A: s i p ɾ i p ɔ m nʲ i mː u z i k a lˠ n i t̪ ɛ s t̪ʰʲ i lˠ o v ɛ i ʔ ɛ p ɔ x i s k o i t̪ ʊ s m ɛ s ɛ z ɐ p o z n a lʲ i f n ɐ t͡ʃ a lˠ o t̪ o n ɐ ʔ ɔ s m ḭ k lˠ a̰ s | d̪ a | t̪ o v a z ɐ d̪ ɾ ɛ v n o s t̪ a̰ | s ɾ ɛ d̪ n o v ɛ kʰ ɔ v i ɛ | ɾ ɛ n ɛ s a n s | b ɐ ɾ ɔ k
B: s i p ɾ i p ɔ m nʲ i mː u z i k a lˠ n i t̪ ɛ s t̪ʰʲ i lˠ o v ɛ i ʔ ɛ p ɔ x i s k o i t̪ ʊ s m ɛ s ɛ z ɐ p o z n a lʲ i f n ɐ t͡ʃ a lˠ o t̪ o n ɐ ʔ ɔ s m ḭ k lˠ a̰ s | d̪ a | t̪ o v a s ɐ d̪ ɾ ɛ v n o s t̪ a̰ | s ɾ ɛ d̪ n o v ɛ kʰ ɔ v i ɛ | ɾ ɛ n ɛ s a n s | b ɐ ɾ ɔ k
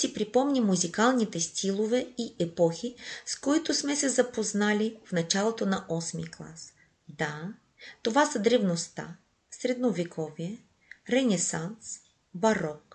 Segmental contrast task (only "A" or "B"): B